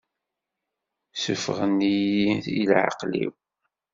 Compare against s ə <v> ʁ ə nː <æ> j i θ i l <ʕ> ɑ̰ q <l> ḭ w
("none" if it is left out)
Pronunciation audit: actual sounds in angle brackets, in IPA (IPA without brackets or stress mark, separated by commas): f, i, ʕ, l